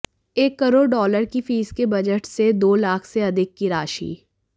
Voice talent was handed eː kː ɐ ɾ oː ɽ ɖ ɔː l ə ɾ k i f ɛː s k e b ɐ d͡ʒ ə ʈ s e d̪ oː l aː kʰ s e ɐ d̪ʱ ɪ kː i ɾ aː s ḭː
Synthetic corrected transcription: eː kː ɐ ɾ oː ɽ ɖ ɔː l ə ɾ k i f iː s k e b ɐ d͡ʒ ə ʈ s e d̪ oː l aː kʰ s e ɐ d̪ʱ ɪ kː i ɾ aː ʃ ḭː